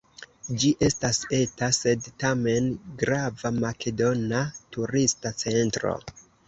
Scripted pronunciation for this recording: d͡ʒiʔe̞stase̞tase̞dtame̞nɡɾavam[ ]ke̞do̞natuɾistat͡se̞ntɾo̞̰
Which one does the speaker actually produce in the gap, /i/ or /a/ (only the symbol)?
a